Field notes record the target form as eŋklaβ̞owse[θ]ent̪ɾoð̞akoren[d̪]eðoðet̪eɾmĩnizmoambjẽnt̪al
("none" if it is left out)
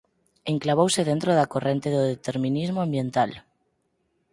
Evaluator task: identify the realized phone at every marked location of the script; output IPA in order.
ð, t̪

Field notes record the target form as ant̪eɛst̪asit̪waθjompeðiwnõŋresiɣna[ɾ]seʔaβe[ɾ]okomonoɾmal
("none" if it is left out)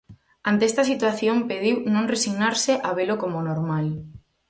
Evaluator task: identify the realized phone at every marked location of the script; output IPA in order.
ɾ, l

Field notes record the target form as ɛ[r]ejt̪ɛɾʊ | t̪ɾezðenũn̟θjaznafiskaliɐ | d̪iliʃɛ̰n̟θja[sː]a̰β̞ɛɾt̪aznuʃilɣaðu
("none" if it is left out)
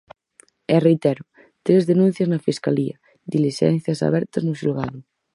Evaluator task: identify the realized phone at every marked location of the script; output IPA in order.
r, s

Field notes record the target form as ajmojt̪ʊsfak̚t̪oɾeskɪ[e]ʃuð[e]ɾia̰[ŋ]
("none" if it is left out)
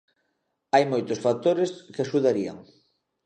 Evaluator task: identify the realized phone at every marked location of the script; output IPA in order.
a, a, ŋ

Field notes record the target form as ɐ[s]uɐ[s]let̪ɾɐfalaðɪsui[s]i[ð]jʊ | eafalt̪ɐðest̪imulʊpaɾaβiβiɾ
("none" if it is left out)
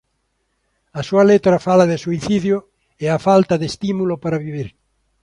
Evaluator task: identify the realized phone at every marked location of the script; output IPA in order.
s, none, θ, ð

